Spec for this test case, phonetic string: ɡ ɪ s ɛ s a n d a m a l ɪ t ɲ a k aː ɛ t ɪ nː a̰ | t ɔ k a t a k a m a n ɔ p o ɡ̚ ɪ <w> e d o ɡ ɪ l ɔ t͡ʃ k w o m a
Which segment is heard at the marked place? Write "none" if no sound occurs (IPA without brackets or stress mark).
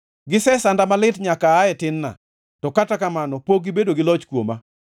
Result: b